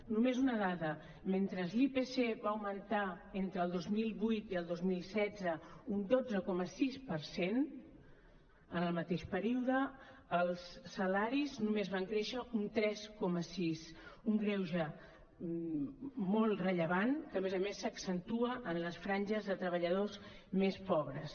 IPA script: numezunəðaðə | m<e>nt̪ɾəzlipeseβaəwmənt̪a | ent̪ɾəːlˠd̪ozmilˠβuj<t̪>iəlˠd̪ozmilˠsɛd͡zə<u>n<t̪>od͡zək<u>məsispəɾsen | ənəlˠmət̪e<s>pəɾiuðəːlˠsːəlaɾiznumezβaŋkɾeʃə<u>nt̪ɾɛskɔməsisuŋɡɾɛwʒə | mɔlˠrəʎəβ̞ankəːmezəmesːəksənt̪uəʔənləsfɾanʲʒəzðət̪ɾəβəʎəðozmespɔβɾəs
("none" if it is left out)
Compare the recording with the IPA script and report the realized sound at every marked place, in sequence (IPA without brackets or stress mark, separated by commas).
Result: e, t̪, u, d̪, ɔ, ʃ, u